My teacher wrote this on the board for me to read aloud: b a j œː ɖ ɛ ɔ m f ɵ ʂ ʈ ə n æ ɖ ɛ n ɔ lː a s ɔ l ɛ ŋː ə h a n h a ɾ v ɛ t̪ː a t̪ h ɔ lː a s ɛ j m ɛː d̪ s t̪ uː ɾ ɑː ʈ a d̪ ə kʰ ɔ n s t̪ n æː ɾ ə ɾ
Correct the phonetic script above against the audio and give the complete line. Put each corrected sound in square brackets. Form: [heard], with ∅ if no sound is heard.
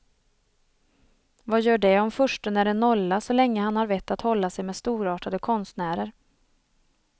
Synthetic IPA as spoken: [v] a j œː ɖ ɛ ɔ m f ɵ ʂ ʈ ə n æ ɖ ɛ n ɔ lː a s ɔ l ɛ ŋː ə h a n h a ɾ v ɛ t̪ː a t̪ h ɔ lː a s ɛ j m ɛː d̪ s t̪ uː ɾ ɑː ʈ a d̪ ə kʰ ɔ n s t̪ n æː ɾ ə ɾ

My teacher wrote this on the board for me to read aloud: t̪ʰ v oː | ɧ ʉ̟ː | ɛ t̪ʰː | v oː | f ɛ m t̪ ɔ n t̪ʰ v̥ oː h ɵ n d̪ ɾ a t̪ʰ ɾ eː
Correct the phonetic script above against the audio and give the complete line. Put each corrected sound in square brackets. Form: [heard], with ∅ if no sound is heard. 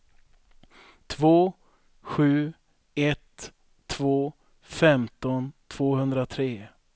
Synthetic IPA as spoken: t̪ʰ v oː | ɧ ʉ̟ː | ɛ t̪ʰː | v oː | f ɛ m t̪ ɔ n t̪ʰ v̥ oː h ɵ n d̪ ɾ a t̪ʰ ɾ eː

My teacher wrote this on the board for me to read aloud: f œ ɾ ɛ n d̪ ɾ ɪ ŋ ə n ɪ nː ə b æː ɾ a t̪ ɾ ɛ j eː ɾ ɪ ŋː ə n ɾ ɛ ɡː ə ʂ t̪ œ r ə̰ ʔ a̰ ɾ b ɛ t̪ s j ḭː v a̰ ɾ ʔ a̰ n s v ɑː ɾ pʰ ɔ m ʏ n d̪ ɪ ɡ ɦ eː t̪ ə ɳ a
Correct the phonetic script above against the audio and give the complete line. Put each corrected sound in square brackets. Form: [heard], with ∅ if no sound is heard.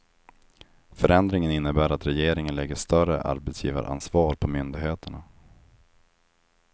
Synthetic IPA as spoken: f œ ɾ ɛ n d̪ ɾ ɪ ŋ ə n ɪ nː ə b æː ɾ a t̪ ɾ ɛ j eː ɾ ɪ [ŋ] ə n [l] ɛ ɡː ə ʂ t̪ œ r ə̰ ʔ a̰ ɾ b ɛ t̪ s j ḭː v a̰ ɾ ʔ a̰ n s v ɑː ɾ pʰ ɔ m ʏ n d̪ ɪ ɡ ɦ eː t̪ ə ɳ a

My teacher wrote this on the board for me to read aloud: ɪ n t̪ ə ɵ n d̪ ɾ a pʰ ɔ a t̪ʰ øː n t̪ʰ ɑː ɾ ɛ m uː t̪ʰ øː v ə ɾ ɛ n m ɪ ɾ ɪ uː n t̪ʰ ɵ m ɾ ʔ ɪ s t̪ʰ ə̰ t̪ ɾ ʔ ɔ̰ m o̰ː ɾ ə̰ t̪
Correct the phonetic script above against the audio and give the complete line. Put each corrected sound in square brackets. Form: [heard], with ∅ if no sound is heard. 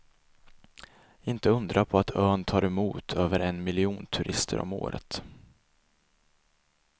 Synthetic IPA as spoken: ɪ n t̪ ə ɵ n d̪ ɾ a pʰ ɔ a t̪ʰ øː n t̪ʰ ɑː ɾ ɛ m uː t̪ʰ øː v ə ɾ ɛ n m ɪ [l] ɪ uː n t̪ʰ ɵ [∅] ɾ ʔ ɪ s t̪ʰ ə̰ [∅] ɾ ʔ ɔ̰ m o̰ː ɾ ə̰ t̪

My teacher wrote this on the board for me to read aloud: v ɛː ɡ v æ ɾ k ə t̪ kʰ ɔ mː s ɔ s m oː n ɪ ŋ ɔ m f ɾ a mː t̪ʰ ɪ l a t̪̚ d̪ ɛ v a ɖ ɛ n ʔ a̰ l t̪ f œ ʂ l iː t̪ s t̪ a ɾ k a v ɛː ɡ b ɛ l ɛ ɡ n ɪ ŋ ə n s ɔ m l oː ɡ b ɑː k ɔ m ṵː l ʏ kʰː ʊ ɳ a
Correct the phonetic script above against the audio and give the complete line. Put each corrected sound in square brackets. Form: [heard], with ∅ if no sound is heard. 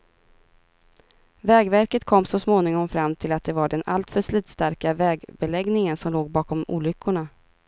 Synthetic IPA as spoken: v ɛː ɡ v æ ɾ k ə t̪ kʰ ɔ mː s ɔ s m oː n ɪ ŋ ɔ m f ɾ a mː t̪ʰ ɪ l a t̪̚ d̪ ɛ v a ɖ ɛ n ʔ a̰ l t̪ f œ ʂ l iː t̪ s t̪ a ɾ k a v ɛː ɡ b ɛ l ɛ ɡ n ɪ ŋ ə n s ɔ m l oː ɡ b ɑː k ɔ m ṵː l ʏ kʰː ʊ ɳ a

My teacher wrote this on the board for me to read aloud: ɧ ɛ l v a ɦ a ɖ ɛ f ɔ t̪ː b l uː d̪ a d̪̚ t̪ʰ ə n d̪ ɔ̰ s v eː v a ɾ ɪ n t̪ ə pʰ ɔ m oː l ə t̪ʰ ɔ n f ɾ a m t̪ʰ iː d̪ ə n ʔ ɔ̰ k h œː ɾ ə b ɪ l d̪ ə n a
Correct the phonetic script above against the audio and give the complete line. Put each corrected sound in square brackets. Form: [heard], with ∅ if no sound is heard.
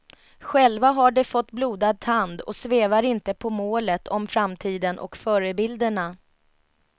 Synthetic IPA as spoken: ɧ ɛ l v a ɦ a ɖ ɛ f ɔ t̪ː b l uː d̪ a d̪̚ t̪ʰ [a] n d̪ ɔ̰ s v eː v a ɾ ɪ n t̪ ə pʰ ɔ m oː l ə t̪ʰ ɔ [m] f ɾ a m t̪ʰ iː d̪ ə n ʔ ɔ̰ k [f] œː ɾ ə b ɪ l d̪ ə [ɳ] a

